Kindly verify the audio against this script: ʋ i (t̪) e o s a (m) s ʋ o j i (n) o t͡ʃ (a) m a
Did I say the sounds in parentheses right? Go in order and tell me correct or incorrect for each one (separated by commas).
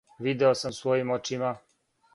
incorrect, correct, incorrect, incorrect